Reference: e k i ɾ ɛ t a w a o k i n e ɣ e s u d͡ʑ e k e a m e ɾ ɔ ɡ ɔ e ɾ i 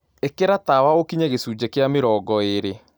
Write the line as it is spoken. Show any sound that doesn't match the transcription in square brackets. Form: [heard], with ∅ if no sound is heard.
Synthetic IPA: e k [e] ɾ [a] t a w a o k i [ɲ] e ɣ e s u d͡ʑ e k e a m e ɾ ɔ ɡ ɔ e ɾ [e]

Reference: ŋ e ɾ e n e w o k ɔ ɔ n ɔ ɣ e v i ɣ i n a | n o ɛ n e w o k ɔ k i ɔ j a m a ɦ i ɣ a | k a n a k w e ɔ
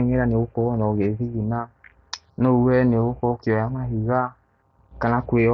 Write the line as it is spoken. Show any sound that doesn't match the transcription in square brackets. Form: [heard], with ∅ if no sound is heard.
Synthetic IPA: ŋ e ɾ [a] n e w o k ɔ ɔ n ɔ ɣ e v i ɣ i n a | n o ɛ n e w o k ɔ k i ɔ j a m a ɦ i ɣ a | k a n a k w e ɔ

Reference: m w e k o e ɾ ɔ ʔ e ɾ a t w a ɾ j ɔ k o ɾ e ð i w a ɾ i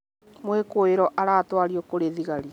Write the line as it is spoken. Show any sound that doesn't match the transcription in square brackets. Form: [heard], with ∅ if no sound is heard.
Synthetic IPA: m w e k o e ɾ ɔ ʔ [a] ɾ a t w a ɾ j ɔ k o ɾ e ð i [ɣ] a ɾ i

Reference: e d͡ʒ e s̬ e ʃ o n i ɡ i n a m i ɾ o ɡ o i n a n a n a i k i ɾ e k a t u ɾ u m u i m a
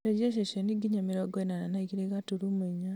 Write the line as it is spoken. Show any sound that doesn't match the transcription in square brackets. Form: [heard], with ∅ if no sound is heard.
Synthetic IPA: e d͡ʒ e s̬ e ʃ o n i ɡ i [ɲ] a m i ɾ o ɡ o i n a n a n a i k i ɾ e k a t u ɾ u m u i [ɲ] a

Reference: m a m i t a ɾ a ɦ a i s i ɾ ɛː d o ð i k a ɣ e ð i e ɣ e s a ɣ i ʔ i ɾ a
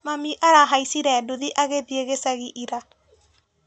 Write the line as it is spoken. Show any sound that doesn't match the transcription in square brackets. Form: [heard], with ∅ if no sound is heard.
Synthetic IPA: m a m i [ʔ] a ɾ a ɦ a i s i ɾ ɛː d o ð i [ʔ] a ɣ e ð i e ɣ e s a ɣ i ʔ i ɾ a

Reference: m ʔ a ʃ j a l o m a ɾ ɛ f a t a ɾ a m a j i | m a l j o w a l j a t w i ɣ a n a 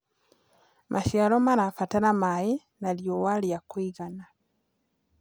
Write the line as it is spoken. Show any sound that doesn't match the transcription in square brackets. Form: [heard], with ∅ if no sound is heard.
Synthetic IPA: m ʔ a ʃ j a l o m a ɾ [a] f a t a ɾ a m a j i | [n] a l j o w a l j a [k] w i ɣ a n a

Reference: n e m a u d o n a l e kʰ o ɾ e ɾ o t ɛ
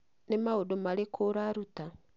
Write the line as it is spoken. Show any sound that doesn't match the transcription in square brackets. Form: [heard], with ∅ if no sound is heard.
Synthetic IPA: n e m a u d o [m] a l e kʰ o ɾ [a] ɾ [u] t [a]

